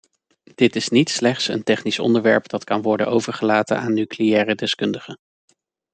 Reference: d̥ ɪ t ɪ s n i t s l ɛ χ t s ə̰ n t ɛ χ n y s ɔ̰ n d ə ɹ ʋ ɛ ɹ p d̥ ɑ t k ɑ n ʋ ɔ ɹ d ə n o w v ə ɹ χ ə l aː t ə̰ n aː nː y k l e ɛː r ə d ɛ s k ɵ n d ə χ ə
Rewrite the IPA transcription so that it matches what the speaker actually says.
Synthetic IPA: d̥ ɪ t ɪ s n i t s l ɛ χ t s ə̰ n t ɛ χ n i s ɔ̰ n d ə ɹ ʋ ɛ ɹ p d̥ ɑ t k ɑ n ʋ ɔ ɹ d ə n o w v ə ɹ χ ə l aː t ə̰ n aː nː y k l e ɛː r ə d ɛ s k ɵ n d ə χ ə